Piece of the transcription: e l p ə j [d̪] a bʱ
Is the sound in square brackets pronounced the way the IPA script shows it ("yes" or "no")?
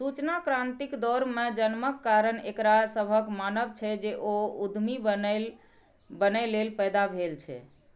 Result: yes